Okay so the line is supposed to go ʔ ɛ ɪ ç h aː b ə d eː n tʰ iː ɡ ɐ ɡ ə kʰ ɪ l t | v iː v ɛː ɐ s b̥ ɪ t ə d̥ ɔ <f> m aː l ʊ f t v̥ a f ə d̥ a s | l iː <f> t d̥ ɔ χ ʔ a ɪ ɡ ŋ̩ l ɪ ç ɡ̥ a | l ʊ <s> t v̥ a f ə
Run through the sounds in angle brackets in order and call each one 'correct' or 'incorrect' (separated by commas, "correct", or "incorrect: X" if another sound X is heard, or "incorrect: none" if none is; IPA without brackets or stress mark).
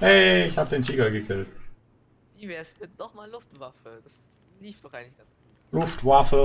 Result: incorrect: χ, correct, incorrect: f